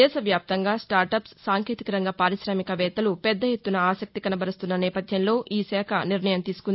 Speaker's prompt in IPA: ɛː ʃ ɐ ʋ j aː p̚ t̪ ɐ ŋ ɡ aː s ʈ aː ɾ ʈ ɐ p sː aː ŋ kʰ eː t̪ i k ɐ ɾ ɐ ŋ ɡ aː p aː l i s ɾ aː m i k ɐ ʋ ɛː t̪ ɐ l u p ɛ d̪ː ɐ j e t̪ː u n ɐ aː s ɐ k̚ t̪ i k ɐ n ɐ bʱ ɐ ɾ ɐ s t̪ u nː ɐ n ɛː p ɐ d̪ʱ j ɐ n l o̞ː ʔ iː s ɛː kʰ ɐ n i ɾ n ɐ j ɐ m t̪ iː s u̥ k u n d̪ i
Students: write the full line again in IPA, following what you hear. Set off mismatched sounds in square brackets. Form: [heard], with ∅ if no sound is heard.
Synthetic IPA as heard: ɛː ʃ ɐ ʋ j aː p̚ t̪ ɐ ŋ ɡ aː s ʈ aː ɾ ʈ ɐ p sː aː ŋ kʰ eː t̪ i k ɐ ɾ ɐ ŋ ɡ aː p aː [ɾ] i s ɾ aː m i k ɐ ʋ ɛː t̪ ɐ l u p ɛ d̪ː ɐ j e t̪ː u n ɐ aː s ɐ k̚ t̪ i k ɐ n ɐ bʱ ɐ ɾ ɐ s t̪ u nː ɐ n ɛː p ɐ d̪ʱ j ɐ n l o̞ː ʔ iː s ɛː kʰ ɐ n i ɾ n ɐ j ɐ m t̪ iː s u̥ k u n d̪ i